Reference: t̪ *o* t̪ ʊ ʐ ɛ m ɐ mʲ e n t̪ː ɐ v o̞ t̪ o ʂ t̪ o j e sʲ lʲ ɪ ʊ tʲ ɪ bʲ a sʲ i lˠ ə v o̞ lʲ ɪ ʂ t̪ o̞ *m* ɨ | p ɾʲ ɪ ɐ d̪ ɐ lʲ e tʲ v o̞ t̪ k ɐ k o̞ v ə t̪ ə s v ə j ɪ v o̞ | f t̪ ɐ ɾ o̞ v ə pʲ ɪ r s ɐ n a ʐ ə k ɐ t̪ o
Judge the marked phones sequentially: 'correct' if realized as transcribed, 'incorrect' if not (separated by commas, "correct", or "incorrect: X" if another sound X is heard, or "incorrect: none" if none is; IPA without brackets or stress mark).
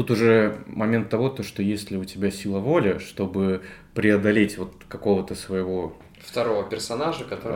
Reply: incorrect: u, incorrect: b